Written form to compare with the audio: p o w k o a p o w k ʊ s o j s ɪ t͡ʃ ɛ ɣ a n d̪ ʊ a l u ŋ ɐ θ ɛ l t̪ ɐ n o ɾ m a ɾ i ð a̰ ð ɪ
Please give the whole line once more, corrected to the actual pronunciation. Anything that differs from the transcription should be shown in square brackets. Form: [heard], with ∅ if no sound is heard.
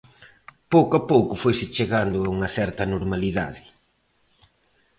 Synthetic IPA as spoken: p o w k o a p o w k ʊ [f] o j s ɪ t͡ʃ [e] ɣ a n d̪ ʊ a [∅] u ŋ ɐ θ ɛ [ɾ] t̪ ɐ n o ɾ m a [l] i ð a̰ ð ɪ